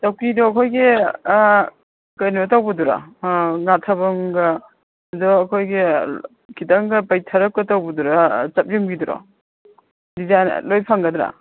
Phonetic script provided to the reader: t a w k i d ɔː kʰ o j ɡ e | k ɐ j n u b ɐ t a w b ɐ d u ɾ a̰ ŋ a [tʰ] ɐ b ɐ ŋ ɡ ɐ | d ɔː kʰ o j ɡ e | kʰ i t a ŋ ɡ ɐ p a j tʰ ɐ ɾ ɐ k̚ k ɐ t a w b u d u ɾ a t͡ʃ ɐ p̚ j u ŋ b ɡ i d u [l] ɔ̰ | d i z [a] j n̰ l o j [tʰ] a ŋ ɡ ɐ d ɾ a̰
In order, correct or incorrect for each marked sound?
correct, incorrect: ɾ, correct, incorrect: pʰ

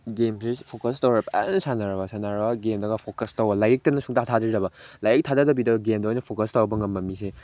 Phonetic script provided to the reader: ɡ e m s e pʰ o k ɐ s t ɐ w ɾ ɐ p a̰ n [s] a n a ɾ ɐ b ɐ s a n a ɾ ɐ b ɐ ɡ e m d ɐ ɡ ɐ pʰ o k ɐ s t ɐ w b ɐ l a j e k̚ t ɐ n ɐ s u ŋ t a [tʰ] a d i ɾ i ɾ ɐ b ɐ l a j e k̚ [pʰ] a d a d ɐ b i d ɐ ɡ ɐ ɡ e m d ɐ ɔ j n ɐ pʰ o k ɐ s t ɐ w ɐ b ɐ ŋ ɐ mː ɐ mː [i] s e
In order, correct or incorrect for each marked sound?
correct, correct, incorrect: tʰ, correct

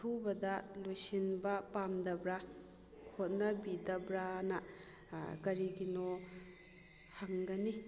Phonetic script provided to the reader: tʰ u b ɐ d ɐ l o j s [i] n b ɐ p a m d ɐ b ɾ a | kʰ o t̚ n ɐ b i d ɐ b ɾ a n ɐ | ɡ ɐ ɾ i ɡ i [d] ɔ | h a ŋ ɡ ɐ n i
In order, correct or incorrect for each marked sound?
correct, incorrect: n

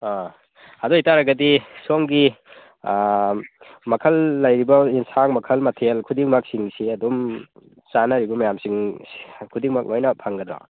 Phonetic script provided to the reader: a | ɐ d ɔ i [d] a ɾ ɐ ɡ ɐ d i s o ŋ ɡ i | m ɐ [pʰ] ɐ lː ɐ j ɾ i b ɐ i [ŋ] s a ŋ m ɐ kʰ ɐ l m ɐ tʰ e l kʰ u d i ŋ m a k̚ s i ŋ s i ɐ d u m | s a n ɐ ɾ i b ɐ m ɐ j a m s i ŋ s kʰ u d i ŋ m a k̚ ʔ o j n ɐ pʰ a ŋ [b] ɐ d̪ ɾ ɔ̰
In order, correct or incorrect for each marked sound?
incorrect: t, incorrect: kʰ, incorrect: n, incorrect: ɡ

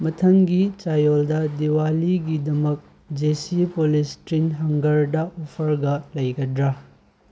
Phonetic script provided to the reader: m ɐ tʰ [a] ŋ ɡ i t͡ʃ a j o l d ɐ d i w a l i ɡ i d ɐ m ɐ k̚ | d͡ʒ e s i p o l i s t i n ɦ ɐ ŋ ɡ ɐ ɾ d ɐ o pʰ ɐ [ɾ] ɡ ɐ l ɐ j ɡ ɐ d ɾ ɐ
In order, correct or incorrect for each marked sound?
incorrect: ɐ, correct

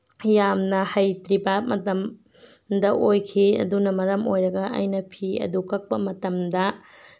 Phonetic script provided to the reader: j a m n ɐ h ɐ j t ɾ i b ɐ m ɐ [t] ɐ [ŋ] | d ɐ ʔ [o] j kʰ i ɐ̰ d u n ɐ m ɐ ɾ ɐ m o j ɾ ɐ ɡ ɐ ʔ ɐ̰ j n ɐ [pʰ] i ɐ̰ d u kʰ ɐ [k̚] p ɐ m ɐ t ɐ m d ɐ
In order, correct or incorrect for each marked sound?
correct, incorrect: m, correct, correct, correct

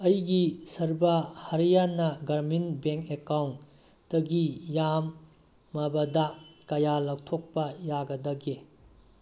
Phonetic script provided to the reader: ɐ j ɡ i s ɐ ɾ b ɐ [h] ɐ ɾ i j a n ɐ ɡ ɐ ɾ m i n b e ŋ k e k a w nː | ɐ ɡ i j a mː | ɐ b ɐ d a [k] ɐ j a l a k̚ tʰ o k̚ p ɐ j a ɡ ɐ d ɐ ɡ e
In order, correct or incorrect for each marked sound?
correct, correct

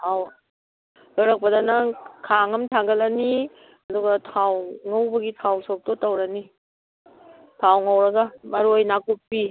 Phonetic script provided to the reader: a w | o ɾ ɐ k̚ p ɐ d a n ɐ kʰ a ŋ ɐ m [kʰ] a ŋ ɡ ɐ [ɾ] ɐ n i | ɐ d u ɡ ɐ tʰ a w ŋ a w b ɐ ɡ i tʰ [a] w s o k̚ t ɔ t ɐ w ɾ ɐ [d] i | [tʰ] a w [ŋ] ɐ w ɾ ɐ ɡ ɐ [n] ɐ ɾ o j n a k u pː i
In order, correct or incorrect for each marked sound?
incorrect: tʰ, incorrect: l, correct, incorrect: n, correct, correct, incorrect: m

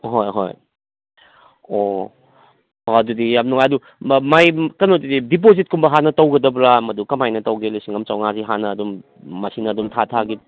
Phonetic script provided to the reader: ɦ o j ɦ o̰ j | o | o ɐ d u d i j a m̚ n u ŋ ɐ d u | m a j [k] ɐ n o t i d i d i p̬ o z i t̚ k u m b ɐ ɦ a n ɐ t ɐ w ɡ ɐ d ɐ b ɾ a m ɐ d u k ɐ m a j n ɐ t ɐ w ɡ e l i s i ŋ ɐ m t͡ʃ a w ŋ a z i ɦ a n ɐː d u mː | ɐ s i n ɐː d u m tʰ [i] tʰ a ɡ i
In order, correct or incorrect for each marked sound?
correct, incorrect: a

